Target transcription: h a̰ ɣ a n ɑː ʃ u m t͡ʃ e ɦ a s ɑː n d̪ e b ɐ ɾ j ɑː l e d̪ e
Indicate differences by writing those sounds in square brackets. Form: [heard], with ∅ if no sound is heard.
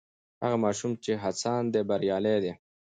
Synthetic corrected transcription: h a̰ ɣ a [m] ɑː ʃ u m t͡ʃ e ɦ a s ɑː n d̪ e b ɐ ɾ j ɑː l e d̪ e